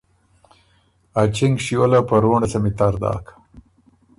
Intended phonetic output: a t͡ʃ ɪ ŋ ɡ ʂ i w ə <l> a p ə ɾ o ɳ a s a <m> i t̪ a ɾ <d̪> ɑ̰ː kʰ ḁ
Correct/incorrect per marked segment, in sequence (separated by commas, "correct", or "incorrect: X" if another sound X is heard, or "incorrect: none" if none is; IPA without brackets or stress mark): correct, correct, correct